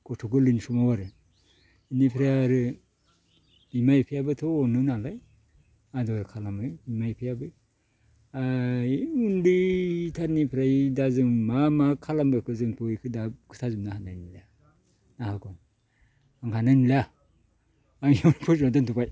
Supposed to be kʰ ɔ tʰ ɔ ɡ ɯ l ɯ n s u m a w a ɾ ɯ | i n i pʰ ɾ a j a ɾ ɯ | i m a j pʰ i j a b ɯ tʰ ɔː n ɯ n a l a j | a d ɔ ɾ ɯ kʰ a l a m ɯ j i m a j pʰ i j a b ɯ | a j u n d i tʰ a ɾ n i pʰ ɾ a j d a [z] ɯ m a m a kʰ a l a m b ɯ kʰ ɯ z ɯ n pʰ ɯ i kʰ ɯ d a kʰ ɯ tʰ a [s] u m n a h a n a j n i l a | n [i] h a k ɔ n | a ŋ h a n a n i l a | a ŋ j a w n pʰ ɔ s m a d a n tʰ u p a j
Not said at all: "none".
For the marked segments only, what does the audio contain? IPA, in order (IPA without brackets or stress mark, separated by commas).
z, z, a